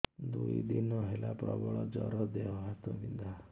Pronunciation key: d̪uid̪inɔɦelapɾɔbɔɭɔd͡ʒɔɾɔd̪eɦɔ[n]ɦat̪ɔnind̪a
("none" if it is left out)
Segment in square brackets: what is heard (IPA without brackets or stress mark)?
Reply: none